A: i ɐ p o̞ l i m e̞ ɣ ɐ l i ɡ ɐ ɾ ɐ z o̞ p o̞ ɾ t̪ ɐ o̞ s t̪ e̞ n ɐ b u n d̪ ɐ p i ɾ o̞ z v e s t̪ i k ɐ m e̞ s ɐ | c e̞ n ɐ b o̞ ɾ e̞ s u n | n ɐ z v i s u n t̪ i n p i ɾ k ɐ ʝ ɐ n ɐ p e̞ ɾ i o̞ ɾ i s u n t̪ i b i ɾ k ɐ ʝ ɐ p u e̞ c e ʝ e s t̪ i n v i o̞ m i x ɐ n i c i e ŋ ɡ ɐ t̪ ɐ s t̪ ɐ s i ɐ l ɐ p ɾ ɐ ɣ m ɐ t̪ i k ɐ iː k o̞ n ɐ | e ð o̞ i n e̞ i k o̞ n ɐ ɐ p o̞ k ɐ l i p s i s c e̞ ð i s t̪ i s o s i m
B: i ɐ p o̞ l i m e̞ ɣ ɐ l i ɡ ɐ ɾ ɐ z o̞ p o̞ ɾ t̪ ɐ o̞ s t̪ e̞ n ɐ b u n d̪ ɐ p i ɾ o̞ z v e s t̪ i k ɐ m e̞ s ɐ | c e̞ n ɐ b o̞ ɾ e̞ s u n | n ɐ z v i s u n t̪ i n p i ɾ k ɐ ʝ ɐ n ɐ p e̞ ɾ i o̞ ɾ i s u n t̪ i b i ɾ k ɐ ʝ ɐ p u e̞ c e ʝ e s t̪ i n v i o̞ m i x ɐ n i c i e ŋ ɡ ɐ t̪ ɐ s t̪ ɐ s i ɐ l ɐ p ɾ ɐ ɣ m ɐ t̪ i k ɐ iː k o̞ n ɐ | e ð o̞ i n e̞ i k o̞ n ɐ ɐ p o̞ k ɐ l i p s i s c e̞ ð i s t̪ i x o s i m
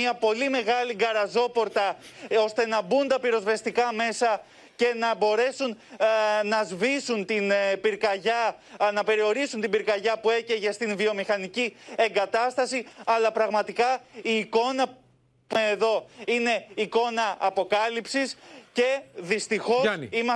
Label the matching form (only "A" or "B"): B